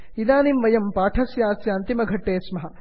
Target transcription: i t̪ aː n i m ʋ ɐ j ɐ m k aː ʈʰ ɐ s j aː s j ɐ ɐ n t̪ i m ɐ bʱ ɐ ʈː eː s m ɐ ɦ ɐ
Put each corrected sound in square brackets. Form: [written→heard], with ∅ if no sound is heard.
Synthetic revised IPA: i [t̪→d̪] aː n i m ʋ ɐ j ɐ m [k→p] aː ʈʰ ɐ s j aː s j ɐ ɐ n t̪ i m ɐ [bʱ→ɡʱ] ɐ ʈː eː s m ɐ ɦ ɐ